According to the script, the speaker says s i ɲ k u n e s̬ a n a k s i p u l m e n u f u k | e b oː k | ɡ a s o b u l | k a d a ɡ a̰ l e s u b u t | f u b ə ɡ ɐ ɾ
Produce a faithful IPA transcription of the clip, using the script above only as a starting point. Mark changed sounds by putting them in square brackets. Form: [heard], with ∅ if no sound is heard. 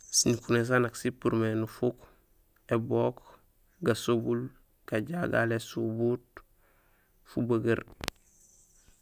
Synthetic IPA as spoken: s i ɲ k u n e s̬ a n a k s i p u [ɾ] m e n u f u k | e b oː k | ɡ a s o b u l | k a [ɟ] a ɡ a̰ l e s u b u t | f u b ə ɡ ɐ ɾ